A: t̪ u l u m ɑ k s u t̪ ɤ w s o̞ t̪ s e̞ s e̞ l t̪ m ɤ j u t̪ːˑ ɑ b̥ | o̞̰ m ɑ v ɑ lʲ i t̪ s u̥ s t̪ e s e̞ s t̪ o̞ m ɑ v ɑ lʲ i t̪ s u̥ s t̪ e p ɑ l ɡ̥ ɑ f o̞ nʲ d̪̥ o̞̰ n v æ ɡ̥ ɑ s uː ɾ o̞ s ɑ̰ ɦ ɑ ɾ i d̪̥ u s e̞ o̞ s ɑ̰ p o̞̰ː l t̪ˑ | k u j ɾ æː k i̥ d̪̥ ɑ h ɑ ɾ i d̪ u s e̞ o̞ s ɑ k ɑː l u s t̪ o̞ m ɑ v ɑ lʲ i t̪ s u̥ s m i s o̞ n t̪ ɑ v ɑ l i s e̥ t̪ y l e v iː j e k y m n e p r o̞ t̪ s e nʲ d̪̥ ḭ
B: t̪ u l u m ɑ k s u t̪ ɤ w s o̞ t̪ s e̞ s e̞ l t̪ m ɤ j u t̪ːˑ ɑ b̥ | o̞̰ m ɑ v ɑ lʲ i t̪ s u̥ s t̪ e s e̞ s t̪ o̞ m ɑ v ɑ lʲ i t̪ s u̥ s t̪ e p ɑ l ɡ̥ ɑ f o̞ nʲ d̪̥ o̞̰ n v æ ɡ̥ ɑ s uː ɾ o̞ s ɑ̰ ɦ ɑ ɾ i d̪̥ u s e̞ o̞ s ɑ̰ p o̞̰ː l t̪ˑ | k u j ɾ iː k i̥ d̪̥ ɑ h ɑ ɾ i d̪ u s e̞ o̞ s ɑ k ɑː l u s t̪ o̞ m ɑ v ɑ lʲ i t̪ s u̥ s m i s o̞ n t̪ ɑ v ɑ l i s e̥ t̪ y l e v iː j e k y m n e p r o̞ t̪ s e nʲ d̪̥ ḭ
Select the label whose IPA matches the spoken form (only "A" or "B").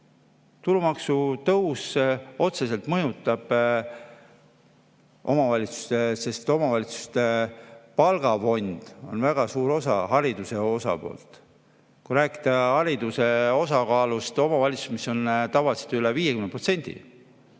A